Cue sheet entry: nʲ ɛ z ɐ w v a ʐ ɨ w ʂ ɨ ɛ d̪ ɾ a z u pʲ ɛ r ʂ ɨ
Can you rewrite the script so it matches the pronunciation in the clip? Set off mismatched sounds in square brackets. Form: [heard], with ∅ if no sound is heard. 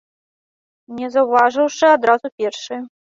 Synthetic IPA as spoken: nʲ ɛ z ɐ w v a ʐ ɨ w ʂ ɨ [a] d̪ ɾ a z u pʲ ɛ r ʂ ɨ